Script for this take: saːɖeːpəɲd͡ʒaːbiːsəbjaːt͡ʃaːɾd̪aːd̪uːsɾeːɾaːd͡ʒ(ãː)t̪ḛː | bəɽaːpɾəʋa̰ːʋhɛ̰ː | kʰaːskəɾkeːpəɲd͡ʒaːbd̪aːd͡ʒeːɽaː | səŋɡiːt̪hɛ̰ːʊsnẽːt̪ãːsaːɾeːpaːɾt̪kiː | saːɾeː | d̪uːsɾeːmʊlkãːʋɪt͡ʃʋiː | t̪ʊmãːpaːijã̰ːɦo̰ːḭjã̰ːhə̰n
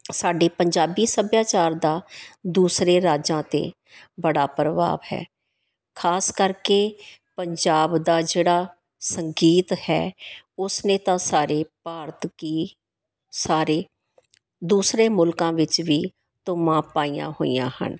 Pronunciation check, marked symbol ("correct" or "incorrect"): correct